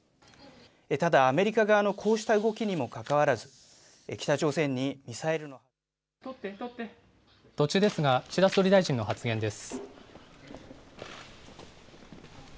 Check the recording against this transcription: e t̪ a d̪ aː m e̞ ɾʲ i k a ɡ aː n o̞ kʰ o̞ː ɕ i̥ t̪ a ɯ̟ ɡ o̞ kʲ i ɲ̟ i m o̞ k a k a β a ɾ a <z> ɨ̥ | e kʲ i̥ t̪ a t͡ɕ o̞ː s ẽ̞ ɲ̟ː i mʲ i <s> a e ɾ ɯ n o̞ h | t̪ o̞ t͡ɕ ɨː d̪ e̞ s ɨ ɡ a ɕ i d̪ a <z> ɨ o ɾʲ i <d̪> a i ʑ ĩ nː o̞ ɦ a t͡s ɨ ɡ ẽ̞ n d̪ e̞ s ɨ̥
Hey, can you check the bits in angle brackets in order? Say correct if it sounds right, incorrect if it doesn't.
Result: correct, correct, incorrect, correct

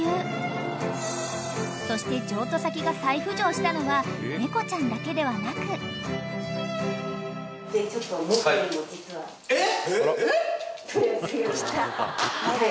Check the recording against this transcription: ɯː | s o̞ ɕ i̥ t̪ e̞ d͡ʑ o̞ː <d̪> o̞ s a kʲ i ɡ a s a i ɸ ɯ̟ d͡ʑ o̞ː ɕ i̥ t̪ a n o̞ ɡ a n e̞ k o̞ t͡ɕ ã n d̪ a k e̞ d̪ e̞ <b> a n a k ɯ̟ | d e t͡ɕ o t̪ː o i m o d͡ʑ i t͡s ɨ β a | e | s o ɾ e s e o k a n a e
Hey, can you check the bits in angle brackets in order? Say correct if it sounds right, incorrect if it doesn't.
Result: incorrect, incorrect

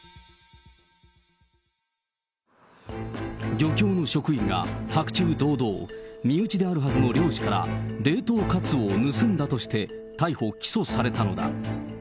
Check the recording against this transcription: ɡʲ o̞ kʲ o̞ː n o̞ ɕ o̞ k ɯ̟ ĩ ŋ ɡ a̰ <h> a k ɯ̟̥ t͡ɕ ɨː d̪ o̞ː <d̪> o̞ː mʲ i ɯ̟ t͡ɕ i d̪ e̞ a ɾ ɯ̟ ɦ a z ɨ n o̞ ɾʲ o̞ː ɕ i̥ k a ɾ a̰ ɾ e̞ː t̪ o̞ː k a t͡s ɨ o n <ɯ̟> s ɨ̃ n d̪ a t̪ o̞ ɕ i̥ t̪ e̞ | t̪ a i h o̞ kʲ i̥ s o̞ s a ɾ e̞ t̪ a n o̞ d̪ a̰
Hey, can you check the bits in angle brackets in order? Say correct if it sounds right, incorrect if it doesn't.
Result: correct, correct, correct

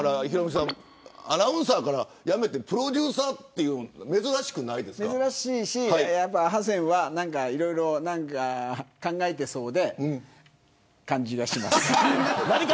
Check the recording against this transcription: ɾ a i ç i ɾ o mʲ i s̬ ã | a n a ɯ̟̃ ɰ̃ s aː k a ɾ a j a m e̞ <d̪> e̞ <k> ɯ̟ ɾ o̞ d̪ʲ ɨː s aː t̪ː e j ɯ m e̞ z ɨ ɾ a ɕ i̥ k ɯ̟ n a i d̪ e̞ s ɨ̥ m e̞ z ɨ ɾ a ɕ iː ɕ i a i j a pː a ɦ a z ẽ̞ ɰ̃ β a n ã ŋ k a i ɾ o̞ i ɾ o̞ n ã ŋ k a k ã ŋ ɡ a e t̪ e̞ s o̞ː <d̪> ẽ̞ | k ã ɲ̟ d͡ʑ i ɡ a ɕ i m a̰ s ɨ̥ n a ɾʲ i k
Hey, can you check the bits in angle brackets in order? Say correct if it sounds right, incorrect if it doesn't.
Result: incorrect, incorrect, correct

